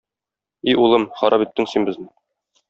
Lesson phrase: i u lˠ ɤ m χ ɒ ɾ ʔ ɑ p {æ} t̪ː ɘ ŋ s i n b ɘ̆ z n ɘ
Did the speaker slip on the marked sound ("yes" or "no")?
yes